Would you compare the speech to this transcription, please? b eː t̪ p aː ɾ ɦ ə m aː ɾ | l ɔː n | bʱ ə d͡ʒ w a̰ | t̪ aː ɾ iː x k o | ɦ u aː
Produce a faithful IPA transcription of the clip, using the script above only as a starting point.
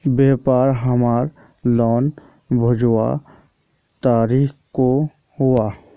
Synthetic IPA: b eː p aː ɾ ɦ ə m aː ɾ | l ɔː n | bʱ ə d͡ʒ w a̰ | t̪ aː ɾ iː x k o | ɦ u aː